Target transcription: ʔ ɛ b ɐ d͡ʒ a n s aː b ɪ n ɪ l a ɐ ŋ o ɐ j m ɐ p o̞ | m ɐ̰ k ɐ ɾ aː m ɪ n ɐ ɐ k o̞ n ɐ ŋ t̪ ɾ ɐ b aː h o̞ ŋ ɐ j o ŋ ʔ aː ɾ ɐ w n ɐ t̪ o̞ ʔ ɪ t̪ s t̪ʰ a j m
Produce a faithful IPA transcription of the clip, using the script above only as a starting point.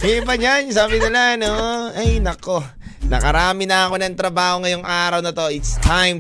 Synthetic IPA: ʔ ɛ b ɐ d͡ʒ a n s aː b ɪ n ɪ l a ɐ n o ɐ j n ɐ k o̞ | n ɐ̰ k ɐ ɾ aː m ɪ n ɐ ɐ k o̞ n ɐ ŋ t̪ ɾ ɐ b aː h o̞ ŋ ɐ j o ŋ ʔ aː ɾ ɐ w n ɐ t̪ o̞ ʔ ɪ t̪ s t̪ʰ a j m